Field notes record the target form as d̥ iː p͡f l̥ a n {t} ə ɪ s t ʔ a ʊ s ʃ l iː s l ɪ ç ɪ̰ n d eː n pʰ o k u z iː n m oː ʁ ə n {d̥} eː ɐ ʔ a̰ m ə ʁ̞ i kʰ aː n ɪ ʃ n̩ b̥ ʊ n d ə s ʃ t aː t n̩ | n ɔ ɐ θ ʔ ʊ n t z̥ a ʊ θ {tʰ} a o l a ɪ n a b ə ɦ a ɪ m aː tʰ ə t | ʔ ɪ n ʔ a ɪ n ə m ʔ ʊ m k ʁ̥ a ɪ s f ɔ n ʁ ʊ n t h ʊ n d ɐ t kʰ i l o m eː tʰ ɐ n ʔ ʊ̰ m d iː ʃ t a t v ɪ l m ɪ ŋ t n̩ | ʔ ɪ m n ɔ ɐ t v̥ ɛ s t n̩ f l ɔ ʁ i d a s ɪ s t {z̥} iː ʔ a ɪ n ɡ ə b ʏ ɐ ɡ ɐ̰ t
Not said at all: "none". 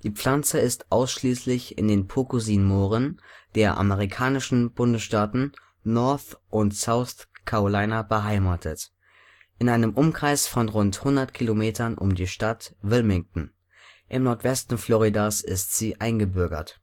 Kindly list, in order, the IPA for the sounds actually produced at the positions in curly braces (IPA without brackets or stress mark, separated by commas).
t͡s, d̥, kʰ, z̥